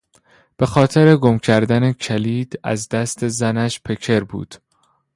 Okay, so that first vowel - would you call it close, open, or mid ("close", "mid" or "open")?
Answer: mid